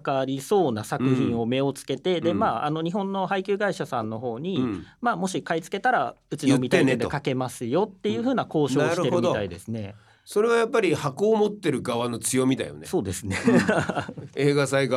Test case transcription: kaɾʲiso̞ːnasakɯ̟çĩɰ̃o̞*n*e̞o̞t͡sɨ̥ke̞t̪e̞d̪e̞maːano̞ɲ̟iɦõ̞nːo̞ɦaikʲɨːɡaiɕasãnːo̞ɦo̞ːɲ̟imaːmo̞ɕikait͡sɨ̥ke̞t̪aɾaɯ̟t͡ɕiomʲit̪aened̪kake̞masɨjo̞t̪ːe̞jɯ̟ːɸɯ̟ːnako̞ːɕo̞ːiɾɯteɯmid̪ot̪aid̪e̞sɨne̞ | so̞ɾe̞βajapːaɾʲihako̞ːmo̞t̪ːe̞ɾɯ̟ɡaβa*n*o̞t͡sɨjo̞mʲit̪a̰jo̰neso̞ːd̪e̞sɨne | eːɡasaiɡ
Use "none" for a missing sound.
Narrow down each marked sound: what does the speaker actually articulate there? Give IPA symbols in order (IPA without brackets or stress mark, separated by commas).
m, n